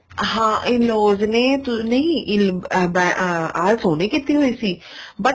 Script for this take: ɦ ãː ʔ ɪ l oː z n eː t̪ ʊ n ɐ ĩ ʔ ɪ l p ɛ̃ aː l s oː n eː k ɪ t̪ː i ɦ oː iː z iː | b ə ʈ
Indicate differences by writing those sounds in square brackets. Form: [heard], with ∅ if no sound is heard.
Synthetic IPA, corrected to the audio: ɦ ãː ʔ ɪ l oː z n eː t̪ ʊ n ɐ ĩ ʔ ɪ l [b] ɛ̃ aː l s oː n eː k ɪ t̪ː i ɦ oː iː [s] iː | b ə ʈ